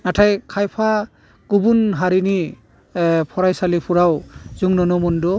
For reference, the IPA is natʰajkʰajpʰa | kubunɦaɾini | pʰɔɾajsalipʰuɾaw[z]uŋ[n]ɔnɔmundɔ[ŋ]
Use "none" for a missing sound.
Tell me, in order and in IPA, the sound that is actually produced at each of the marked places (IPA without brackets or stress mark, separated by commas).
z, n, none